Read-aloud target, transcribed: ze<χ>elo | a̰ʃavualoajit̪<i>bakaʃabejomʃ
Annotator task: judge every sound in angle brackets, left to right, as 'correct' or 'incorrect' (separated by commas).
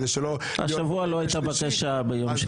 incorrect, incorrect